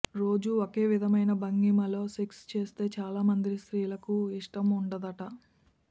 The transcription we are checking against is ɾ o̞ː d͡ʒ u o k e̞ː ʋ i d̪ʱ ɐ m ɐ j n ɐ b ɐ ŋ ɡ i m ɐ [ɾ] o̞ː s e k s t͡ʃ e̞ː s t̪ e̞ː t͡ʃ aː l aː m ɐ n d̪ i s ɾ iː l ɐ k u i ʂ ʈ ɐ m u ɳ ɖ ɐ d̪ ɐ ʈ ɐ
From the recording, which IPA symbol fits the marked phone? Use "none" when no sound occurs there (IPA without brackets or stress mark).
l